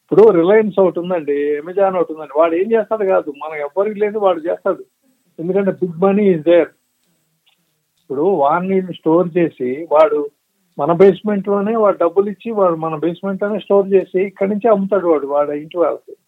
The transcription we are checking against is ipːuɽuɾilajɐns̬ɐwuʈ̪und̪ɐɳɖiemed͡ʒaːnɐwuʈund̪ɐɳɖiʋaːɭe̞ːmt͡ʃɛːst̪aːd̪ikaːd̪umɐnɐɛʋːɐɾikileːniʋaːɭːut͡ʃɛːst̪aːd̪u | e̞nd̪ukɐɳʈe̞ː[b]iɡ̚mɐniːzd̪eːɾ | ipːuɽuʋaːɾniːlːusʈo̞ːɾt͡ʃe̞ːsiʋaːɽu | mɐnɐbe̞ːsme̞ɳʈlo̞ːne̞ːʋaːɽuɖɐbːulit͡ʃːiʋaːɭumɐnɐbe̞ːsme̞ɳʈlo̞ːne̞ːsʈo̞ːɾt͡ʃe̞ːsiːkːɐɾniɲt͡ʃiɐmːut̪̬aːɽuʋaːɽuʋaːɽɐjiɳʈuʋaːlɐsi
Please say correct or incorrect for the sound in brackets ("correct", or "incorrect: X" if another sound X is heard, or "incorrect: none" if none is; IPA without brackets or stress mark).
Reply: correct